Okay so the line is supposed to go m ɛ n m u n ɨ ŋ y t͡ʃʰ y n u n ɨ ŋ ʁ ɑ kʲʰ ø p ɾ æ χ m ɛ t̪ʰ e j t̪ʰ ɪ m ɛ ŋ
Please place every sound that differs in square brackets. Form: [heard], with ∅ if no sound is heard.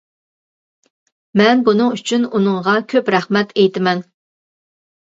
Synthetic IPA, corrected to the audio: m ɛ n [b] u n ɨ ŋ y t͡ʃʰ y n u n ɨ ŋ ʁ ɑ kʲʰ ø p ɾ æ χ m ɛ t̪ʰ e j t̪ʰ ɪ m ɛ [n]